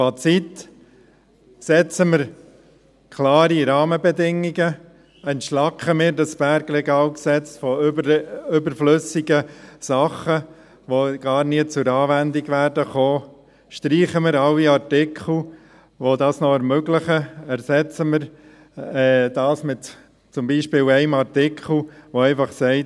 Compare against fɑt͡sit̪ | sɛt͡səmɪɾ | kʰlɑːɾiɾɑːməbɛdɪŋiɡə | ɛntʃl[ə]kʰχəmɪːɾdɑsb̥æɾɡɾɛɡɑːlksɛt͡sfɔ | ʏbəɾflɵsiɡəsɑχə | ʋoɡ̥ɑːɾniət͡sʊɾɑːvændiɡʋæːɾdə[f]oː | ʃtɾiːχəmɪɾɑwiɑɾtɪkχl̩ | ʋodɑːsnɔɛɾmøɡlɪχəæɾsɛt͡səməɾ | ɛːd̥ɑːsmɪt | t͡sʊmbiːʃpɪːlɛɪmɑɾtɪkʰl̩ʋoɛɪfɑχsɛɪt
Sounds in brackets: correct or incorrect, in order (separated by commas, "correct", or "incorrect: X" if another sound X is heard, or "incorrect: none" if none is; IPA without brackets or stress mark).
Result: incorrect: ɑ, incorrect: χ